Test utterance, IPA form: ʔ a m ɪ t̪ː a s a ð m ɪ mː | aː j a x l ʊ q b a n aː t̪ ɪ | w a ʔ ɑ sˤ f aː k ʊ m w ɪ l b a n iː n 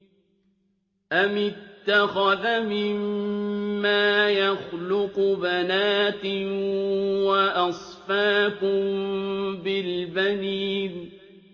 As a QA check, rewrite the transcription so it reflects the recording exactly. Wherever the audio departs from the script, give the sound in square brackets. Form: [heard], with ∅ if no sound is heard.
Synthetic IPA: ʔ a m ɪ t̪ː a [x] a ð m ɪ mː | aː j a x l ʊ q b a n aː t̪ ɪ | w a ʔ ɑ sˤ f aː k ʊ m [b] ɪ l b a n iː n